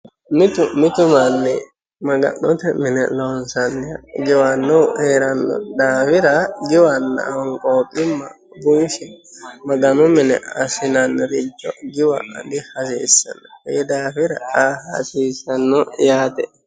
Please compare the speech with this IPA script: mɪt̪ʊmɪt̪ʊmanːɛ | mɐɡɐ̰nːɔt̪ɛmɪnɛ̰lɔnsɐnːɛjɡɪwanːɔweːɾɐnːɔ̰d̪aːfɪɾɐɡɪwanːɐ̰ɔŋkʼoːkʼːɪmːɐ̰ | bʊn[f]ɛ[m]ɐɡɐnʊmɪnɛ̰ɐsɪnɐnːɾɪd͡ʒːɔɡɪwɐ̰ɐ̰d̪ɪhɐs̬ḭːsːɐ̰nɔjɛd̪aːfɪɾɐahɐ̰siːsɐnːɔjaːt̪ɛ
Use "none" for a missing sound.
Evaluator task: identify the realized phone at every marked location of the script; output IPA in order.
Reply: ʃ, m

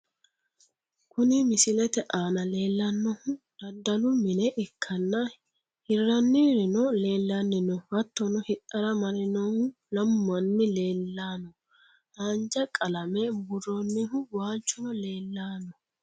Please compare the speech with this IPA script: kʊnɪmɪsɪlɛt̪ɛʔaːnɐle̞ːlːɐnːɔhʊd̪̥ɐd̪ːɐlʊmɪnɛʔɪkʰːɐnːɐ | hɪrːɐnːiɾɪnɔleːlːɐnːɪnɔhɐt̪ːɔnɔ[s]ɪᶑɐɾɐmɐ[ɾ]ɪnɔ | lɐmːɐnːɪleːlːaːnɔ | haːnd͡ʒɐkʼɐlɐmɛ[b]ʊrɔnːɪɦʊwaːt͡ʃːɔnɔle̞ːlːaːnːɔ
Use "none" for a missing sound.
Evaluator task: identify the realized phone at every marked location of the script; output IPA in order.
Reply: h, ɾ, b

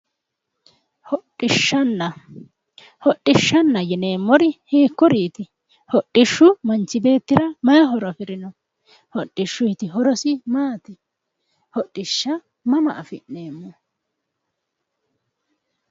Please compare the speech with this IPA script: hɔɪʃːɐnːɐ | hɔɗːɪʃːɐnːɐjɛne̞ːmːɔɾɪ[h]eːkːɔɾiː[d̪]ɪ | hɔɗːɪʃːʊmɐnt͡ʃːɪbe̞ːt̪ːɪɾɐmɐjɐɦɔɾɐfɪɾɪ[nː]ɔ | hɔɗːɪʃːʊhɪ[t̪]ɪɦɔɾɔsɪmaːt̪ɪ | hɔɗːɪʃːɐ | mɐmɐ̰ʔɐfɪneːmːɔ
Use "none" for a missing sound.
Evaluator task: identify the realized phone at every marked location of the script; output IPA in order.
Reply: h, t̪, n, t̪

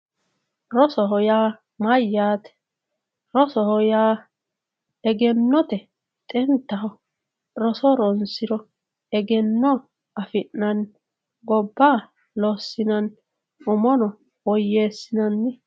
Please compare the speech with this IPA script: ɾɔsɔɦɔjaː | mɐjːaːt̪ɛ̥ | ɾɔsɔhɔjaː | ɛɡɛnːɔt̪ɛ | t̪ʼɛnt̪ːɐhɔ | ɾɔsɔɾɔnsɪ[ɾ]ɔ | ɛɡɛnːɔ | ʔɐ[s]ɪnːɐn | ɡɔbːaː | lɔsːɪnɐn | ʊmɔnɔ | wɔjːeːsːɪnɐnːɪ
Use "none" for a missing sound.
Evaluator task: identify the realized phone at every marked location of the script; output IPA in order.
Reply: ɾ, f

